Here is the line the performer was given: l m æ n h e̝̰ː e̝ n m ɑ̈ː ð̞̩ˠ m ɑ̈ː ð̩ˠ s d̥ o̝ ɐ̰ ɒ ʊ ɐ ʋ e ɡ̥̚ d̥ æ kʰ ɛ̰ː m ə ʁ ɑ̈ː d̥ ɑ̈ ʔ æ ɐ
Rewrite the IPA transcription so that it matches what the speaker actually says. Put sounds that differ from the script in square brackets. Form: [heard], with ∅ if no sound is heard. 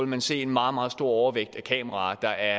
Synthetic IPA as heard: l m æ n [s] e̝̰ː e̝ n m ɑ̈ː ð̞̩ˠ m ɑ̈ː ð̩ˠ s d̥ o̝ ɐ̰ ɒ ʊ ɐ ʋ e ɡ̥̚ d̥ æ kʰ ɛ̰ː m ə ʁ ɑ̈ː d̥ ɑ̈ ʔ æ ɐ